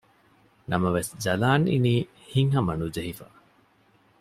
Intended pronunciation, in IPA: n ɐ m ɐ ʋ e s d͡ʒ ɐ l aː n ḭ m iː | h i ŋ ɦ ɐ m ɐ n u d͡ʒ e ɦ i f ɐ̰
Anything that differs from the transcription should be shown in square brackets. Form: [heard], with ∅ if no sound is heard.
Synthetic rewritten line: n ɐ m ɐ ʋ e s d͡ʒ ɐ l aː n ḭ [n] iː | h i ŋ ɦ ɐ m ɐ n u d͡ʒ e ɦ i f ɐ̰